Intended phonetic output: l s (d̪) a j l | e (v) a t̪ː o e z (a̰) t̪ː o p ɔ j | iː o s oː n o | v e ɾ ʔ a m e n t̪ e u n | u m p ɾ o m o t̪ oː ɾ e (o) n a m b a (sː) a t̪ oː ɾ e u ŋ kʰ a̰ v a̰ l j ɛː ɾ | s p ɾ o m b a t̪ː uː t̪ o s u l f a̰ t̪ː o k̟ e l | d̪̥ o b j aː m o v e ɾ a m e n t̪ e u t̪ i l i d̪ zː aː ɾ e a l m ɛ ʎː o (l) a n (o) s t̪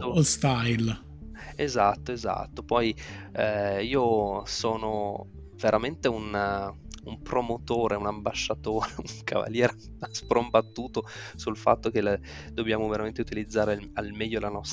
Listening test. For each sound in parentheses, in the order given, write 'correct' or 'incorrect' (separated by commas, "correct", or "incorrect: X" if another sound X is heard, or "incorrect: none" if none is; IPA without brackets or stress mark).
incorrect: t̪, incorrect: z, correct, incorrect: u, incorrect: ʃː, correct, incorrect: ɔ